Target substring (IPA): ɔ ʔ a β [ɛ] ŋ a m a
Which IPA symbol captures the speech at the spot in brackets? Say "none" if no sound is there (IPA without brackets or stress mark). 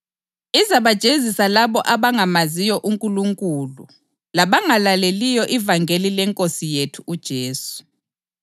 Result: a